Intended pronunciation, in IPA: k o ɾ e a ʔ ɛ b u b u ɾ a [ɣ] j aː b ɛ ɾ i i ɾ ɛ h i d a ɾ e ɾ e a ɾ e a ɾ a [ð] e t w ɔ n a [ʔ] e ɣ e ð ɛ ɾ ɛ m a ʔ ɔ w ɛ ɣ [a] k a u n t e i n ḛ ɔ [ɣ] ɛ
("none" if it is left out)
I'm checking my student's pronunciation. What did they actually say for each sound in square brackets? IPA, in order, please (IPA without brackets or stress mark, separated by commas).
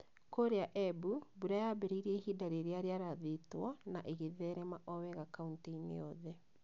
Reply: none, ð, ʔ, a, ð